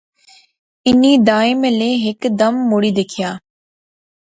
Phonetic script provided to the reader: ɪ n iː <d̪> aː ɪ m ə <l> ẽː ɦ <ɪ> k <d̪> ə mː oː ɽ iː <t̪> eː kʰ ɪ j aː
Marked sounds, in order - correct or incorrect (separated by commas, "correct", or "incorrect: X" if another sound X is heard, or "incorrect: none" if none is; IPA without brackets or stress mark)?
correct, correct, correct, correct, incorrect: d̪